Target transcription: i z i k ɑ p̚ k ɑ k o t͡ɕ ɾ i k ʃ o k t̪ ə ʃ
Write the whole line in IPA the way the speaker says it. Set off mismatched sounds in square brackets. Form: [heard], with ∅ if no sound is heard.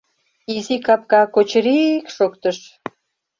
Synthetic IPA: i z i k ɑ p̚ k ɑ k o t͡ɕ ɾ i k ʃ o k t̪ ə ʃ